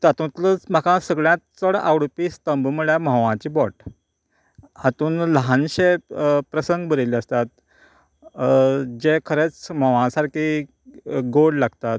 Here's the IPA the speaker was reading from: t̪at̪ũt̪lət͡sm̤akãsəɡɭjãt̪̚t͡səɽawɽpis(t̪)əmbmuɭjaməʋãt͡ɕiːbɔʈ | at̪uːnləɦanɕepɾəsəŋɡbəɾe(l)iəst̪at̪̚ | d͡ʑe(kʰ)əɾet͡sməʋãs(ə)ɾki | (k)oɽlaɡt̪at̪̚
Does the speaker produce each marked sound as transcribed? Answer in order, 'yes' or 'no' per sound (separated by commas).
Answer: yes, yes, yes, no, no